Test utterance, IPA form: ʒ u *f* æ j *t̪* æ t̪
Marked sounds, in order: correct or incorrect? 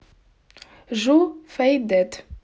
correct, incorrect: d̪

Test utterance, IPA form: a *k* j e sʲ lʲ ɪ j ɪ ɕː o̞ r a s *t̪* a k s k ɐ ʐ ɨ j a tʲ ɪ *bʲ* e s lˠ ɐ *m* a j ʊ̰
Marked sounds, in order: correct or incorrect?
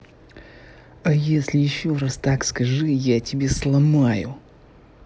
incorrect: none, correct, correct, correct

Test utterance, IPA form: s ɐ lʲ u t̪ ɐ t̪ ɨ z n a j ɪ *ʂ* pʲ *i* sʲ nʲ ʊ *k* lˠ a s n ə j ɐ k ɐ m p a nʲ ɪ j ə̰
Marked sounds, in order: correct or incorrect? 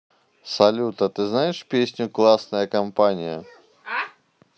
correct, incorrect: e, correct

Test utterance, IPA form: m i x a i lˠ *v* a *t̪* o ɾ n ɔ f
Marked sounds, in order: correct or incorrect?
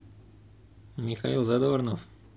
incorrect: z, incorrect: d̪

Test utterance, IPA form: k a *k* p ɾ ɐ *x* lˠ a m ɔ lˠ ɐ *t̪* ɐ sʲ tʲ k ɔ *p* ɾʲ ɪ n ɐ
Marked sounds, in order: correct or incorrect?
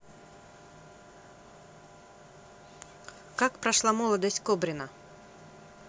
correct, incorrect: ʂ, incorrect: d̪, incorrect: b

